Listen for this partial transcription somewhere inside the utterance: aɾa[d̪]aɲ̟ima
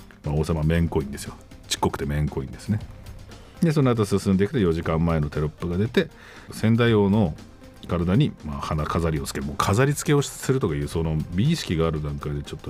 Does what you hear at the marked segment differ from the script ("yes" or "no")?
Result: no